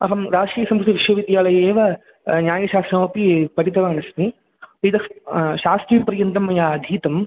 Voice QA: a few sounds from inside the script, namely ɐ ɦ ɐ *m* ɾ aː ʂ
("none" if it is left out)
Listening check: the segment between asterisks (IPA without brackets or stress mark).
m